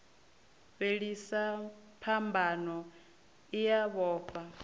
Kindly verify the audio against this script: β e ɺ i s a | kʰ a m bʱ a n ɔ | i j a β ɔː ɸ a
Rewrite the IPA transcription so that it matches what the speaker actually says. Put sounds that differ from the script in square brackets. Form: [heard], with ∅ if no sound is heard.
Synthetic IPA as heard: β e ɺ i s a | [pʰ] a m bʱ a n ɔ | i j a β ɔː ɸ a